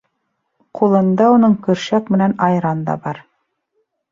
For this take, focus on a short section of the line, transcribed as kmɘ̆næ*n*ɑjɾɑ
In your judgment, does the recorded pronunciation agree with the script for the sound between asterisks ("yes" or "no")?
yes